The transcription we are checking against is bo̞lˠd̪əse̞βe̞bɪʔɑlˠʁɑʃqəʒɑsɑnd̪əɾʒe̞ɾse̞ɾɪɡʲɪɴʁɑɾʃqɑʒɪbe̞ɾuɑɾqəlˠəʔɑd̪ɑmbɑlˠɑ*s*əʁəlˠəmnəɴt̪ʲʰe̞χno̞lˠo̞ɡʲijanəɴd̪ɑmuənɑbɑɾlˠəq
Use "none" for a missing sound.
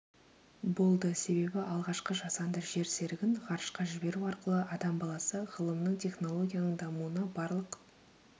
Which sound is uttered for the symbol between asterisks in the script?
s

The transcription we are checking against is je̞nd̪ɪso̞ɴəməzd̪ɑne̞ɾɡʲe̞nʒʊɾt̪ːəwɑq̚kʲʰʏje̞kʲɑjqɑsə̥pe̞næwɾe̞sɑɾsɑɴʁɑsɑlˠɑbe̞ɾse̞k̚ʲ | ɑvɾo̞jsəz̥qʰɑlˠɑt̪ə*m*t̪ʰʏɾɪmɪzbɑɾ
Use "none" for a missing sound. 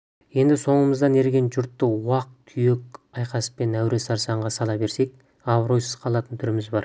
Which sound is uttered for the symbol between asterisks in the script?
n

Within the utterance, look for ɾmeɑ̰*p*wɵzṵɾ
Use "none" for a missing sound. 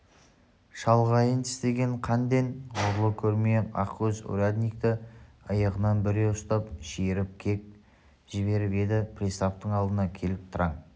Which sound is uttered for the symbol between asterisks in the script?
q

